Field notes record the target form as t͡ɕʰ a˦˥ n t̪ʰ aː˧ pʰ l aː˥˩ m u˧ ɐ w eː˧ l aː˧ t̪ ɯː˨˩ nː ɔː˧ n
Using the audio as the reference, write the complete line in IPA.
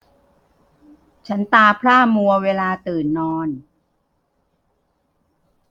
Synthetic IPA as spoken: t͡ɕʰ a˦˥ n t̪ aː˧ pʰ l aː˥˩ m u˧ ɐ w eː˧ l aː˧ t̪ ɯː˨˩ nː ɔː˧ n